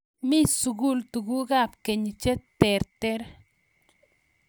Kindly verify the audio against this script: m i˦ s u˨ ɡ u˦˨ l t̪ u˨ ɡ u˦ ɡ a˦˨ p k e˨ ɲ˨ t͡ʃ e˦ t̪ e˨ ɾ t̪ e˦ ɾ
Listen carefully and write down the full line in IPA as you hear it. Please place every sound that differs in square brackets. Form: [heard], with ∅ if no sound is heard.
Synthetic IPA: m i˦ s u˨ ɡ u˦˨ l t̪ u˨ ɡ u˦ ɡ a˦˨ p k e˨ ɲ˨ t͡ʃ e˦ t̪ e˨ ɾ t̪ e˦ ɾ